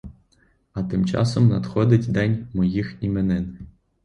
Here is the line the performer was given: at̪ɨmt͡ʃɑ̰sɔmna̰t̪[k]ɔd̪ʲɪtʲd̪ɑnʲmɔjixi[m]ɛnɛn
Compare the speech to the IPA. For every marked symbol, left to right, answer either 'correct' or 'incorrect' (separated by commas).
incorrect, correct